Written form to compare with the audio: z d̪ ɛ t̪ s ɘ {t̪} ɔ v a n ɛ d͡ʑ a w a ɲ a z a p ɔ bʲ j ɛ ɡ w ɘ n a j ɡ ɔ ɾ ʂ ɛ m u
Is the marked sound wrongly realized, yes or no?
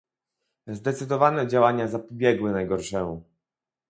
yes